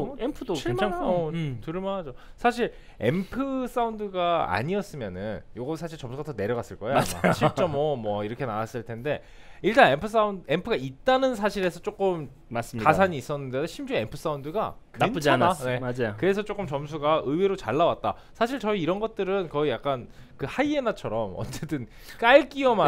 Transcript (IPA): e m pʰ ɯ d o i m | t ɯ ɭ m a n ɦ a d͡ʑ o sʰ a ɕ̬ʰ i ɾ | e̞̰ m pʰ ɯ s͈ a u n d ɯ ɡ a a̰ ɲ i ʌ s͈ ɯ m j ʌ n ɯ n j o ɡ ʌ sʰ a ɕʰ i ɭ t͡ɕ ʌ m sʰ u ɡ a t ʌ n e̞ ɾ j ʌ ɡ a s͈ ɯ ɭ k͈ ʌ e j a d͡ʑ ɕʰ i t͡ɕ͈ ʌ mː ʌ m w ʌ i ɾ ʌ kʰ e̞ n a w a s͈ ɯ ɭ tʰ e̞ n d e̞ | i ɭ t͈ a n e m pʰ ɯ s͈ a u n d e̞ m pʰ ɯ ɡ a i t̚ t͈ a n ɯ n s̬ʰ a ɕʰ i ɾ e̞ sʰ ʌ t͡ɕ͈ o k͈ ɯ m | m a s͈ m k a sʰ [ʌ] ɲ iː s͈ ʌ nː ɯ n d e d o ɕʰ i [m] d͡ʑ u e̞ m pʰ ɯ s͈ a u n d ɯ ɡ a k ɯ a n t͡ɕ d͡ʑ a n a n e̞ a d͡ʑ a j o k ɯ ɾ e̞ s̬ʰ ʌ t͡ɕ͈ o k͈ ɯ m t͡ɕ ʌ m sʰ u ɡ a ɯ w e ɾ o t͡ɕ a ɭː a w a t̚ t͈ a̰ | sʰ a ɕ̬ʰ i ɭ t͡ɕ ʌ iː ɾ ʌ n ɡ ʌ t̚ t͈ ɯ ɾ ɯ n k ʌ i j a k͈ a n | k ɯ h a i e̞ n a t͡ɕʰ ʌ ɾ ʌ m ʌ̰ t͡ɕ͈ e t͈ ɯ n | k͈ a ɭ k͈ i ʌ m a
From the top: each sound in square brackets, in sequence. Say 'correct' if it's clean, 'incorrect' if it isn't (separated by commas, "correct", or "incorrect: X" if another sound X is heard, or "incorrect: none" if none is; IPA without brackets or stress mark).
incorrect: a, correct